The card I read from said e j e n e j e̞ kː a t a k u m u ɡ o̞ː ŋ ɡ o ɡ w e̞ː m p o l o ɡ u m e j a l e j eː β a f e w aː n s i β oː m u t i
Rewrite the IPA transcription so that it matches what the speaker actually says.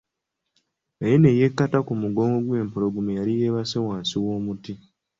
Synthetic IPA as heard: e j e n e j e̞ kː a t a k u m u ɡ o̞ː ŋ ɡ o ɡ w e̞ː m p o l o ɡ u m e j a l i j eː β a s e w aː n s i w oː m u t i